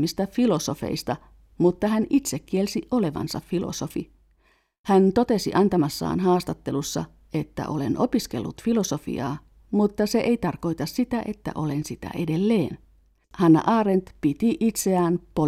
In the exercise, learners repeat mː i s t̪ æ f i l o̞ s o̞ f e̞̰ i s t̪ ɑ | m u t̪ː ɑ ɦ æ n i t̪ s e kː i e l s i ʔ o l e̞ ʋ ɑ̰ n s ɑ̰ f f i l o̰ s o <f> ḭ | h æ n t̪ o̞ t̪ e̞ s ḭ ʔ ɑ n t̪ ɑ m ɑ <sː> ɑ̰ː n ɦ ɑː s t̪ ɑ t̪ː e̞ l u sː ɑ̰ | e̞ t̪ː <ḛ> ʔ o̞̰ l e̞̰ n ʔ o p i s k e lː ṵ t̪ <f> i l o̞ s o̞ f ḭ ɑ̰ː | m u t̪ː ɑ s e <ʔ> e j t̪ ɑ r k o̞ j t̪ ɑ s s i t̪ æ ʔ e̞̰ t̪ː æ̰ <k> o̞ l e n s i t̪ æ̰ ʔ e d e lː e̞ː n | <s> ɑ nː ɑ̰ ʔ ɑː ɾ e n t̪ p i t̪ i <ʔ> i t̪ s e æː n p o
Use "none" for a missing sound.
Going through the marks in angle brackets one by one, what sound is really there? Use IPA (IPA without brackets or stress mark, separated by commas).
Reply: f, sː, æ̰, f, ʔ, ʔ, h, ʔ